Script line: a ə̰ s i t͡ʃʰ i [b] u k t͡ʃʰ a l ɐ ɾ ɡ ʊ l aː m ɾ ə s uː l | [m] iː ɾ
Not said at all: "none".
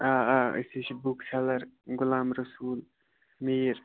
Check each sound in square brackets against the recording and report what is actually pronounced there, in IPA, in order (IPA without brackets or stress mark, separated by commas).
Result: b, m